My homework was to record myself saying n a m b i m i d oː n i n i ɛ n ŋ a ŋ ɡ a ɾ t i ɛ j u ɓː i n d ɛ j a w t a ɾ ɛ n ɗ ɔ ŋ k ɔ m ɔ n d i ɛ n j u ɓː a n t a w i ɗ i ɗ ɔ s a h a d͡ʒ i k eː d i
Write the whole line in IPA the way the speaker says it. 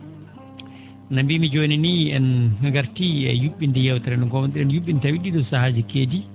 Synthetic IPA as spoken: n a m b i m i d͡ʒ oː n i n i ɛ n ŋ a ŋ ɡ a ɾ t i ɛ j u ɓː i n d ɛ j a w t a ɾ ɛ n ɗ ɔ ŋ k ɔ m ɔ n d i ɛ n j u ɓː i n t a w i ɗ i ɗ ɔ s a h a d͡ʒ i k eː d i